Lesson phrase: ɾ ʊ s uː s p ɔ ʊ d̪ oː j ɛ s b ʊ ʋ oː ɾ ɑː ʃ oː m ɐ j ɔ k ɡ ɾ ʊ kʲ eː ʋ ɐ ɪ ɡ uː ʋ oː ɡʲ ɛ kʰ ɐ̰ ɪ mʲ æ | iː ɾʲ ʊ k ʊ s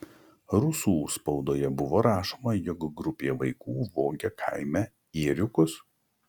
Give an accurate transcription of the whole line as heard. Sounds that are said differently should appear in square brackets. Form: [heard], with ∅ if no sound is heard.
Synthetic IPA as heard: ɾ ʊ s uː s p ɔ ʊ d̪ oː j ɛ [∅] b ʊ ʋ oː ɾ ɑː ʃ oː m ɐ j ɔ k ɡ ɾ ʊ [pʲ] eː ʋ ɐ ɪ [k] uː ʋ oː ɡʲ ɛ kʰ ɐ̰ ɪ mʲ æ | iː ɾʲ ʊ k ʊ s

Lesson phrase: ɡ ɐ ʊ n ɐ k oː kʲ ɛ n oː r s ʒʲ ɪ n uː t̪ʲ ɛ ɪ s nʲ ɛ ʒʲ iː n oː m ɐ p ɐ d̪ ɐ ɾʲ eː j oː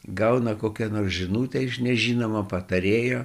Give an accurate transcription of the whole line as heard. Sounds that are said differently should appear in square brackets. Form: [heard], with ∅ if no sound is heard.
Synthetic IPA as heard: ɡ ɐ ʊ n ɐ k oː kʲ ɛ n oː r s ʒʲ ɪ n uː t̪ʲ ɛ ɪ [ʃ] nʲ ɛ ʒʲ iː n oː m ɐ p ɐ [t̪] ɐ ɾʲ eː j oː

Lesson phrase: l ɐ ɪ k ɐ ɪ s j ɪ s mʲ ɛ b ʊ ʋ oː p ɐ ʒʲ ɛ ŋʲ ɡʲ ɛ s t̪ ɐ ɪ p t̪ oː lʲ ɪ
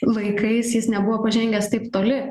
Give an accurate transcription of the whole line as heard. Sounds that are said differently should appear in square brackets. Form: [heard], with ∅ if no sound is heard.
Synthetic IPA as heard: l ɐ ɪ k ɐ ɪ s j ɪ s [nʲ] ɛ b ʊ ʋ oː p ɐ ʒʲ ɛ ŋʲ ɡʲ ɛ s t̪ ɐ ɪ p t̪ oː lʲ ɪ

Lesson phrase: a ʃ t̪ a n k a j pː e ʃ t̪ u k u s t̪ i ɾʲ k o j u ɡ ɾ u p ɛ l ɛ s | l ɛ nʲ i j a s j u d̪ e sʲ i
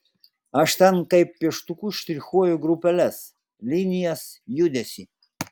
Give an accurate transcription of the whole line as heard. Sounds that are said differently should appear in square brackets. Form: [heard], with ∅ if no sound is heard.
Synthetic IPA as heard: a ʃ t̪ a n k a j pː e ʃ t̪ u k u [ʃ] t̪ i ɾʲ [x] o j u ɡ ɾ u p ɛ l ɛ s | l [i] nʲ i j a s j u d̪ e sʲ i

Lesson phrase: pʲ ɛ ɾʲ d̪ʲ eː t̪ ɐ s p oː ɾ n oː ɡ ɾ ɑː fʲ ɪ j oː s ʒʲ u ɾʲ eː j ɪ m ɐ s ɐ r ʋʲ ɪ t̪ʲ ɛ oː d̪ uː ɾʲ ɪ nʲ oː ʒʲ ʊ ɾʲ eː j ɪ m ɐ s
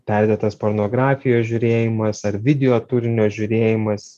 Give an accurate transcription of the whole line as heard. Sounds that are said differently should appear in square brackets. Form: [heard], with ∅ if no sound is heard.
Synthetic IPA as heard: pʲ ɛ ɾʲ d̪ʲ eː t̪ ɐ s p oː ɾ n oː ɡ ɾ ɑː fʲ ɪ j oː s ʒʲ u ɾʲ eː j ɪ m ɐ s ɐ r ʋʲ ɪ [d̪ʲ] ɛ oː [t̪] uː ɾʲ ɪ nʲ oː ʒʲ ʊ ɾʲ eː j ɪ m ɐ s

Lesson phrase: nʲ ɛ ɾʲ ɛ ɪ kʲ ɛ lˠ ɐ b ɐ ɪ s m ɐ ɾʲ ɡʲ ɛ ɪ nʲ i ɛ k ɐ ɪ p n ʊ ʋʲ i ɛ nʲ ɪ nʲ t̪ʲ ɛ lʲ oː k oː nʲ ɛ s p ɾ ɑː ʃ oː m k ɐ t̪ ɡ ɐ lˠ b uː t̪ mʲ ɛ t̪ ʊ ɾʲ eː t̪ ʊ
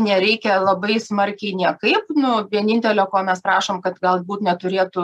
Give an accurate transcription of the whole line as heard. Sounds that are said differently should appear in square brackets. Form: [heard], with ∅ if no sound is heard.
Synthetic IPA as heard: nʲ ɛ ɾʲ ɛ ɪ kʲ ɛ lˠ ɐ b ɐ ɪ s m ɐ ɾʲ [kʲ] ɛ ɪ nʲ i ɛ k ɐ ɪ p n ʊ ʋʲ i ɛ nʲ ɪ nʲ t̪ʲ ɛ lʲ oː k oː [mʲ] ɛ s p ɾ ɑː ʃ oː m k ɐ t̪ ɡ ɐ lˠ b uː t̪ [nʲ] ɛ t̪ ʊ ɾʲ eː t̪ ʊ

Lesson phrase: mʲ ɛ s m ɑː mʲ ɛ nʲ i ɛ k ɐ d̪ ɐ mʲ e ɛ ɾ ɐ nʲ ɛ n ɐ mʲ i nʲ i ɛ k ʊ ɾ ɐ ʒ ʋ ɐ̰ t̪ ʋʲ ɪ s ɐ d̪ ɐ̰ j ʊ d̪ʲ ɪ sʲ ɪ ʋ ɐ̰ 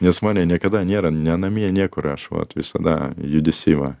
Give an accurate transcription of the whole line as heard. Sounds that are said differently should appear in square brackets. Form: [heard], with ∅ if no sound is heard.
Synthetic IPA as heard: [nʲ] ɛ s m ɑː [nʲ] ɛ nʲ i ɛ k ɐ d̪ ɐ [nʲ] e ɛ ɾ ɐ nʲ ɛ n ɐ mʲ i nʲ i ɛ k ʊ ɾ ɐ [ʃ] ʋ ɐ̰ t̪ ʋʲ ɪ s ɐ d̪ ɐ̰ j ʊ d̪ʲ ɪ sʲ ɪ ʋ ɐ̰

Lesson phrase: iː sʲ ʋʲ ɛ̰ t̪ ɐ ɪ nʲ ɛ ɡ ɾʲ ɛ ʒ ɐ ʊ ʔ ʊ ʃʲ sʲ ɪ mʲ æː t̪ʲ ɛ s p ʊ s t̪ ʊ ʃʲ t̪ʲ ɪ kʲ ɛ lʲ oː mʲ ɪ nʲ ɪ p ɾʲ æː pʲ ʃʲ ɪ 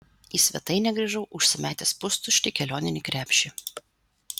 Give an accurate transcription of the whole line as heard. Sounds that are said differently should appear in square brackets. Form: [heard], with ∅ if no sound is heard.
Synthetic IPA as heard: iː sʲ ʋʲ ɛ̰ t̪ ɐ ɪ nʲ ɛ ɡ ɾʲ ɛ ʒ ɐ ʊ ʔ ʊ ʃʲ sʲ ɪ mʲ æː t̪ʲ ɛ s p ʊ s t̪ ʊ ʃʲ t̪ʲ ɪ kʲ ɛ lʲ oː [nʲ] ɪ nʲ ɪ [k] ɾʲ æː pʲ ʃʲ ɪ

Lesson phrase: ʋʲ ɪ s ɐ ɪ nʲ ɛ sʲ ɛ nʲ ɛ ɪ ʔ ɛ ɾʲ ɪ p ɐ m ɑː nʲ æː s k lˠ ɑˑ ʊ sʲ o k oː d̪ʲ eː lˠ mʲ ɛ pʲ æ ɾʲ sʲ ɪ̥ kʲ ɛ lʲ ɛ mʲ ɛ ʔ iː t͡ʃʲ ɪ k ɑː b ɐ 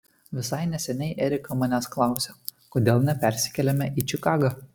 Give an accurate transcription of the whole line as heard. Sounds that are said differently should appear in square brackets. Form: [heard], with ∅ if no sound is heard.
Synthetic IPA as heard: ʋʲ ɪ s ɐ ɪ nʲ ɛ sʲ ɛ nʲ ɛ ɪ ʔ ɛ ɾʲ ɪ [k] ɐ m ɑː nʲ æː s k lˠ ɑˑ ʊ sʲ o k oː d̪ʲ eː lˠ [nʲ] ɛ pʲ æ ɾʲ sʲ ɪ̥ kʲ ɛ lʲ ɛ mʲ ɛ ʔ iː t͡ʃʲ ɪ k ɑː [ɡ] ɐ

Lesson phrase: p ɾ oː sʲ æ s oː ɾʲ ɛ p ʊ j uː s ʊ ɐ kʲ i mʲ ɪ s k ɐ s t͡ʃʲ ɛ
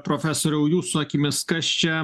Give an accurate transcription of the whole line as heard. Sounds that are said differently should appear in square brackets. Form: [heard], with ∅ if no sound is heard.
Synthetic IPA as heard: p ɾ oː [fʲ] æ s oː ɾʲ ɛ [∅] ʊ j uː s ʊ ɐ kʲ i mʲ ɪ s k ɐ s t͡ʃʲ ɛ

